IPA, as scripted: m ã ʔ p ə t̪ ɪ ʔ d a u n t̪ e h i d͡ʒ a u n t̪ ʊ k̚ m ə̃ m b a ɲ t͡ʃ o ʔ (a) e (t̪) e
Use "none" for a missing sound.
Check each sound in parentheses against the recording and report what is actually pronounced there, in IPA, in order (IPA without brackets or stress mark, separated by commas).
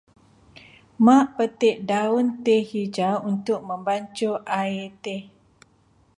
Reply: a, t̪